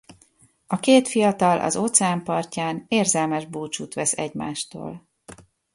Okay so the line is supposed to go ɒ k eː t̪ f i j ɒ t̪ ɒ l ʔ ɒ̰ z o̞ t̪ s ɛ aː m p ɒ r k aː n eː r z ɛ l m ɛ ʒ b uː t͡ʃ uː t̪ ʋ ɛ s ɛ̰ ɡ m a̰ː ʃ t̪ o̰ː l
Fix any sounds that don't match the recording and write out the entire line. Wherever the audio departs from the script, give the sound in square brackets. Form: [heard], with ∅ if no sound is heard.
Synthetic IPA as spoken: ɒ k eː t̪ f i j ɒ t̪ ɒ l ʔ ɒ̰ z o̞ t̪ s ɛ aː m p ɒ r [c] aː n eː r z ɛ l m ɛ ʒ b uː t͡ʃ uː t̪ ʋ ɛ s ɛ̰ [ɟ] m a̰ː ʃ t̪ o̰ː l